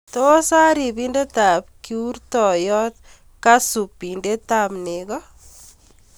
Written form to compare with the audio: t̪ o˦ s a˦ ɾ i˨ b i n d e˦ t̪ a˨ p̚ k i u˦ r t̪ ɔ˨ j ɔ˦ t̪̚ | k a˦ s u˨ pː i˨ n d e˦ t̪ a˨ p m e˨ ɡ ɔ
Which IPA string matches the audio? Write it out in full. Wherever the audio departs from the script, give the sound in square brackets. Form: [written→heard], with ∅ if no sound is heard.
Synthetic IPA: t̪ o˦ s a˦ ɾ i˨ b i n d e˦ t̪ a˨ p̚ k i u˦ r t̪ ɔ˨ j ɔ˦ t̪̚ | k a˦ s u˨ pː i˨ n d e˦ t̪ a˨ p [m→n] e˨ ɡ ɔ